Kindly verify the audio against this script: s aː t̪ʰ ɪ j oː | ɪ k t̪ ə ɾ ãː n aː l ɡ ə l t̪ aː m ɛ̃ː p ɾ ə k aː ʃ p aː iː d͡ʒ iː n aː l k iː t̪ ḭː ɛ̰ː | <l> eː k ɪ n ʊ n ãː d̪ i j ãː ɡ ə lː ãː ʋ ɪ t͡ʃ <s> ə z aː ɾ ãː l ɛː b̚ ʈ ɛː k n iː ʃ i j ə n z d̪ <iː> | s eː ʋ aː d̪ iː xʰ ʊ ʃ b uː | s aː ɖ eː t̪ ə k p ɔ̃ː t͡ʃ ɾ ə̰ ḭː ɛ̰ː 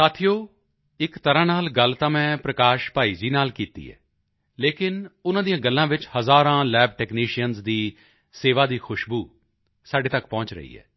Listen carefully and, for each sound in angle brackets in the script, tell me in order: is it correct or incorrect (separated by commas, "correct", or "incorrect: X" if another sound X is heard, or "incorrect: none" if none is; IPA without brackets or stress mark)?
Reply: correct, incorrect: h, correct